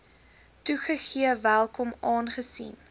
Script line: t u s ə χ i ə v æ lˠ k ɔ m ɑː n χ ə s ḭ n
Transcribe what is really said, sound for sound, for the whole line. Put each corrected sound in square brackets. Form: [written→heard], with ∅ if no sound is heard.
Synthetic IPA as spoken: t u [s→χ] ə χ i ə v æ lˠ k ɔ m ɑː n χ ə s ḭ n